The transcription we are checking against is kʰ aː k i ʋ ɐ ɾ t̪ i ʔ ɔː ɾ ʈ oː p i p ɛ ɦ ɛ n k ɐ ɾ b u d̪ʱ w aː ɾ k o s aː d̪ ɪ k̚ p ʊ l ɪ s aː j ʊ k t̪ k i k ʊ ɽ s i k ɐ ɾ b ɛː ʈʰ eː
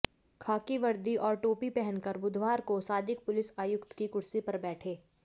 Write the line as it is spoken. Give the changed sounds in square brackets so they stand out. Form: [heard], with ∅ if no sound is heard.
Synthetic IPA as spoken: kʰ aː k i ʋ ɐ ɾ [d̪] i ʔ ɔː ɾ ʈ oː p i p ɛ ɦ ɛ n k ɐ ɾ b [ʊ] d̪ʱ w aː ɾ k o s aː d̪ ɪ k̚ p ʊ l ɪ s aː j ʊ k t̪ k i k ʊ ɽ s i [p] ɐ ɾ b ɛː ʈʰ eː